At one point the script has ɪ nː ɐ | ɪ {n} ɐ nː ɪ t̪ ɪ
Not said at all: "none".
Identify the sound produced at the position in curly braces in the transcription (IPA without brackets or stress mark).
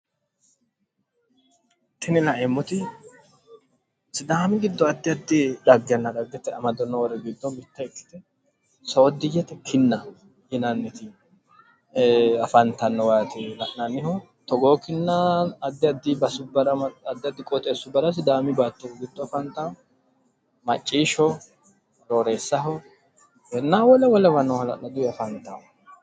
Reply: n